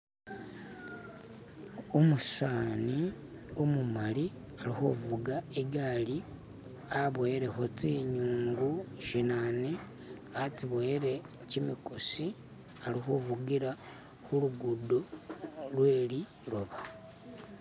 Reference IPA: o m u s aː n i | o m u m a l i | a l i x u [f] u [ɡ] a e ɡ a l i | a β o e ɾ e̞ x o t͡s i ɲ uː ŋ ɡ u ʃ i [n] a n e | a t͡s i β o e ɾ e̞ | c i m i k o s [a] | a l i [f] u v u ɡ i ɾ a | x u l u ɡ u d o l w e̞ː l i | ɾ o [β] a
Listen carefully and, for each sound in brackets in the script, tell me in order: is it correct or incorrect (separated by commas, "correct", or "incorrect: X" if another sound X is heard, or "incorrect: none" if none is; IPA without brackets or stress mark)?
incorrect: v, correct, correct, incorrect: i, incorrect: x, correct